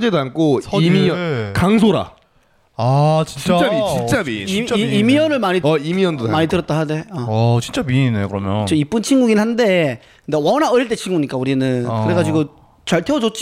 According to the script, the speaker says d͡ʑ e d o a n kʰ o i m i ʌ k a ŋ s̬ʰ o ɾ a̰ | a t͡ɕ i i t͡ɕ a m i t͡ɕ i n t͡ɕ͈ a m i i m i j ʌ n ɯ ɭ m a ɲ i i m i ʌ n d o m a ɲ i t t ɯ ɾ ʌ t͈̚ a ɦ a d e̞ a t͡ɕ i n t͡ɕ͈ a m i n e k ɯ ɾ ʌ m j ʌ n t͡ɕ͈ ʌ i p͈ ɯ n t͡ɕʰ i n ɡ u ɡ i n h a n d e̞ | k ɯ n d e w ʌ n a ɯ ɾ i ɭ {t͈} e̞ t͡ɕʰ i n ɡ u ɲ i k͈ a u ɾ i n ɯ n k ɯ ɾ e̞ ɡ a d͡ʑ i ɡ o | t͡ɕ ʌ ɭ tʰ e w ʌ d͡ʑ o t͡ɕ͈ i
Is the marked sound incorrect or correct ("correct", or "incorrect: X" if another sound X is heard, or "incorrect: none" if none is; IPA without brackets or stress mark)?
correct